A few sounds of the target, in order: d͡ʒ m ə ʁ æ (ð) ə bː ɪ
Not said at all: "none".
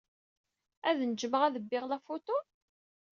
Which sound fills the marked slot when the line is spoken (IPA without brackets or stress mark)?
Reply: ð